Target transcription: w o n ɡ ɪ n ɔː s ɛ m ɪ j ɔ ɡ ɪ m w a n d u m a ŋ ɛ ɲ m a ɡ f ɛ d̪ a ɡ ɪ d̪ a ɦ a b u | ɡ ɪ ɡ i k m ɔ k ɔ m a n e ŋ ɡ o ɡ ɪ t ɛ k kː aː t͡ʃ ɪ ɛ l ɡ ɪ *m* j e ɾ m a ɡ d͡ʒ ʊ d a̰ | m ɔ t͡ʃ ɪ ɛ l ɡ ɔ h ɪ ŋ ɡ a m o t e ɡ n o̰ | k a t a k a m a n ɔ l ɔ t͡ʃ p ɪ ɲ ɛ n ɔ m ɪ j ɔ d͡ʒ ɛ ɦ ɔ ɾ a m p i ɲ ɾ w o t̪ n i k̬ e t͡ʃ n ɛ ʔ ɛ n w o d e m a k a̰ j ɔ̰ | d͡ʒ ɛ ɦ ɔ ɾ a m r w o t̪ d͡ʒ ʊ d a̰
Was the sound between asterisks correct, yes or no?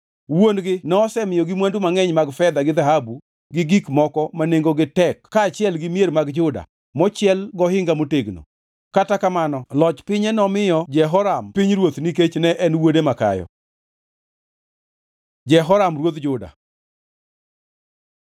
yes